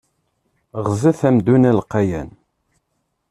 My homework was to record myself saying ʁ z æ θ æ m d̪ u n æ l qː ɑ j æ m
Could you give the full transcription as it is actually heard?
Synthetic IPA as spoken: ʁ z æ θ æ m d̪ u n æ l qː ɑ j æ n